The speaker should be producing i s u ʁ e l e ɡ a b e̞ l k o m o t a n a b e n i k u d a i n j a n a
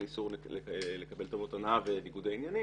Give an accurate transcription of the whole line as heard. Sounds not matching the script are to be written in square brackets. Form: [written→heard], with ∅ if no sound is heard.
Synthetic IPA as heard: i s u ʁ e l e [ɡ→k] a b e̞ l [k→t] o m o t a n a [b→v] e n i [k→ɡ] u d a i n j a n [a→i]